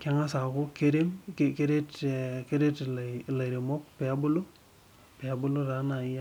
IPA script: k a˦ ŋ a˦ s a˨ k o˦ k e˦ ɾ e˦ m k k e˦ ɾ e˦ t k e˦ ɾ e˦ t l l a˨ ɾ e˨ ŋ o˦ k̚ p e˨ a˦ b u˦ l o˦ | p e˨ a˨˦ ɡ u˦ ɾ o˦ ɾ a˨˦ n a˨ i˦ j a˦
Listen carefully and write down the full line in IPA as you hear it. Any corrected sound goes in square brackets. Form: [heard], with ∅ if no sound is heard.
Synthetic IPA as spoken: k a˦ ŋ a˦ s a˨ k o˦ k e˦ ɾ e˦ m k k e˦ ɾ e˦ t k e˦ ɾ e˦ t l l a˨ ɾ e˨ [m] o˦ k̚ p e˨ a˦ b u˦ l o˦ | p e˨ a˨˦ [b] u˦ [l] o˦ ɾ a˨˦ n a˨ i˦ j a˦